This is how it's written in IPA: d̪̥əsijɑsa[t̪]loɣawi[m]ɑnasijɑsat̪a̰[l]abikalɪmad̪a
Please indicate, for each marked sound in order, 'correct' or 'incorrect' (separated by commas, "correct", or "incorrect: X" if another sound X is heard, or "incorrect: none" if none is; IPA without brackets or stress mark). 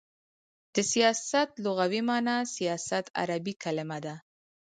correct, correct, incorrect: ɾ